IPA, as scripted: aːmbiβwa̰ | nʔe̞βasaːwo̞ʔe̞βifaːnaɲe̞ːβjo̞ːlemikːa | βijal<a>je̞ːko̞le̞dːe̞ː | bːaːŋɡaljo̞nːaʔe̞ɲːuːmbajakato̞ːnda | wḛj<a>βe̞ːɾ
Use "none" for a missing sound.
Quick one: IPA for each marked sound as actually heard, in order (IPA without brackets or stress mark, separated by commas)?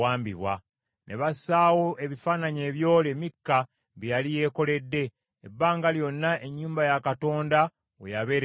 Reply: i, a